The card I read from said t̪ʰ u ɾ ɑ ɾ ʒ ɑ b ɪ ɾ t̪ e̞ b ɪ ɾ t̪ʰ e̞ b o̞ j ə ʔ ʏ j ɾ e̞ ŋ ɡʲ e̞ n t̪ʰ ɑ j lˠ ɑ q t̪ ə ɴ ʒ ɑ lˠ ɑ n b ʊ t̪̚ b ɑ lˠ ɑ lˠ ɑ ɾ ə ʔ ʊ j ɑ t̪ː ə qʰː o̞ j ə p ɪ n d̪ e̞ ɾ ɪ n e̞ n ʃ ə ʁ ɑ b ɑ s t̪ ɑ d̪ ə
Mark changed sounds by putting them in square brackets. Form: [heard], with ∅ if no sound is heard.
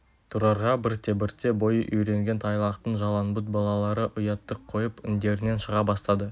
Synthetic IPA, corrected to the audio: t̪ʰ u ɾ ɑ ɾ [ʁ] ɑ b ɪ ɾ t̪ e̞ b ɪ ɾ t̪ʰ e̞ b o̞ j ə ʔ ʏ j ɾ e̞ ŋ ɡʲ e̞ n t̪ʰ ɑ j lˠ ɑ q t̪ ə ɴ ʒ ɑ lˠ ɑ n b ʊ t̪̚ b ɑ lˠ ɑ lˠ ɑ ɾ ə ʔ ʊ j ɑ t̪ː ə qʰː o̞ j ə p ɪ n d̪ e̞ ɾ ɪ n e̞ n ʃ ə ʁ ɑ b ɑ s t̪ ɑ d̪ ə